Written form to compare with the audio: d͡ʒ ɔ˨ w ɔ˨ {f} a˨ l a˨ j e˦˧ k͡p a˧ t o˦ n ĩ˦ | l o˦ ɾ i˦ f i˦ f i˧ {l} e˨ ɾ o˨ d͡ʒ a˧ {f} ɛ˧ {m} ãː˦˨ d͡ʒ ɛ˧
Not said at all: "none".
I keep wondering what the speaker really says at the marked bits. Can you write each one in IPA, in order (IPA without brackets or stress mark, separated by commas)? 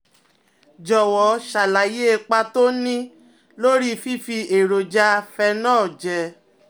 ʃ, none, f, n